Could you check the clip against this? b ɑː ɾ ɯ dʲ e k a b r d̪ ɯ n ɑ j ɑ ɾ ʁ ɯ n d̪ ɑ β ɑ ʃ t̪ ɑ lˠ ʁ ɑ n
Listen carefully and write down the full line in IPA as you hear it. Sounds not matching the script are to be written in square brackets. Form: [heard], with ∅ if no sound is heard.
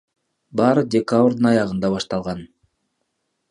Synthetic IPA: b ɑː ɾ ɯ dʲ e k a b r d̪ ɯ n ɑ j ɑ [∅] ʁ ɯ n d̪ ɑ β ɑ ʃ t̪ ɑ lˠ ʁ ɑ n